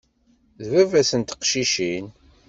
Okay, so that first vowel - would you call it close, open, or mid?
open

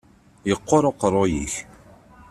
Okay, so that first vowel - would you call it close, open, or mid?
mid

